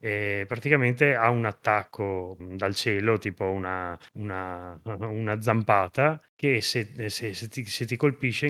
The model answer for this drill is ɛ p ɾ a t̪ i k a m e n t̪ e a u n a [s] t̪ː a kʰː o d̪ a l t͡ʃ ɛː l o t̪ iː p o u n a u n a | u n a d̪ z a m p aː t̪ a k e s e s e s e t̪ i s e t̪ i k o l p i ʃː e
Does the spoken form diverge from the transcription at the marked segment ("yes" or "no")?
yes